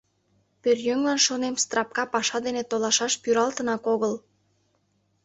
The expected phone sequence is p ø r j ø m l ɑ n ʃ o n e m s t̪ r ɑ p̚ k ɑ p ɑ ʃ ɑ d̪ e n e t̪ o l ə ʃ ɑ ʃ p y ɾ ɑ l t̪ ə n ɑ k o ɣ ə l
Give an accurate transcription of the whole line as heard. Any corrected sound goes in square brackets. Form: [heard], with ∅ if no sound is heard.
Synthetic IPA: p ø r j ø [ŋ] l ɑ n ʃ o n e m s t̪ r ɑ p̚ k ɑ p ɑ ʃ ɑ d̪ e n e t̪ o l [ɑ] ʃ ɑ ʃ p y ɾ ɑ l t̪ ə n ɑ k o ɣ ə l